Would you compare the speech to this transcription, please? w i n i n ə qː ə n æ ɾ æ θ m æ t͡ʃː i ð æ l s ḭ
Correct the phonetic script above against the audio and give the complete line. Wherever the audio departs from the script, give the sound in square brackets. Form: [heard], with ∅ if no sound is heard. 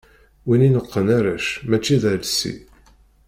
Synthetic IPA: w i n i n ə qː ə n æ ɾ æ [ʃ] m æ t͡ʃː i ð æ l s ḭ